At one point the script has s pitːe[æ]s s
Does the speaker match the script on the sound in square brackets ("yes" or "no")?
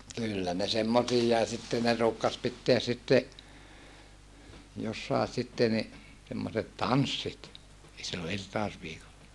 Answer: yes